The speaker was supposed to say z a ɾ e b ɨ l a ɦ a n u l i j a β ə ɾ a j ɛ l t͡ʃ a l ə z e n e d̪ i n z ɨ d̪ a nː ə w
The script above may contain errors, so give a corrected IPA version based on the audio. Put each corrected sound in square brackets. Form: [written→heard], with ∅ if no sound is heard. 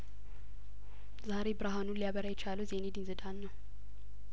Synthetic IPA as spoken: z a ɾ e b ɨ [l→ɾ] a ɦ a n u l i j a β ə ɾ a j ɛ [l→∅] t͡ʃ a l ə z e n e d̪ i n z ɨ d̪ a nː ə w